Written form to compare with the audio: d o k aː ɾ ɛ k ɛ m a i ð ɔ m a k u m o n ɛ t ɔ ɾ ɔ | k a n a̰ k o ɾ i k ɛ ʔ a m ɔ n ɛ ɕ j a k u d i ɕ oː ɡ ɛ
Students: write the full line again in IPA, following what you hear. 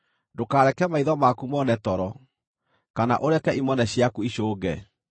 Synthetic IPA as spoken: d o k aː ɾ ɛ k ɛ m a i ð ɔ m a k u m ɔ n ɛ t ɔ ɾ ɔ | k a n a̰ ʔ o ɾ ɛ k ɛ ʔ i m ɔ n ɛ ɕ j a k u i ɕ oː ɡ ɛ